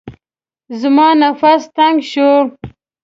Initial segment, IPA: z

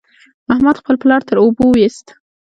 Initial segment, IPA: a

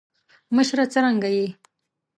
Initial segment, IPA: m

